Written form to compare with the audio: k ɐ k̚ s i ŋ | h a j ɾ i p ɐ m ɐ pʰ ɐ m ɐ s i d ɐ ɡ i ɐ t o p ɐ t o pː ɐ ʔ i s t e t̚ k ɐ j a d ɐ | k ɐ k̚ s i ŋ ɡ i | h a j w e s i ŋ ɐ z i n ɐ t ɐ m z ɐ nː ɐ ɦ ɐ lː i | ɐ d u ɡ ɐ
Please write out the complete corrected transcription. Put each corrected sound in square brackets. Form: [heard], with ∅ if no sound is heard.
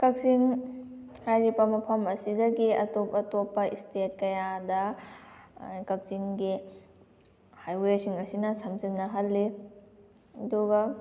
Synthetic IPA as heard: k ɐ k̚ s i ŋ | h a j ɾ i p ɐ m ɐ pʰ ɐ m ɐ s i d ɐ ɡ i ɐ t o p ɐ t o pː ɐ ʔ i s t e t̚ k ɐ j a d ɐ | k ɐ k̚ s i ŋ ɡ i | h a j w e s i ŋ ɐ [s] i n ɐ [s] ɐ m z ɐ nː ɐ ɦ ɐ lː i | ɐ d u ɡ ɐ